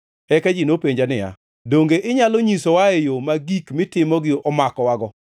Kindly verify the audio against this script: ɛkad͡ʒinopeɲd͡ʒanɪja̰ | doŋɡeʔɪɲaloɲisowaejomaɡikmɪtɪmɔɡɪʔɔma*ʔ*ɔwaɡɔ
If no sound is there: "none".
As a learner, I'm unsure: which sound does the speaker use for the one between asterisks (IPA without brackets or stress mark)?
k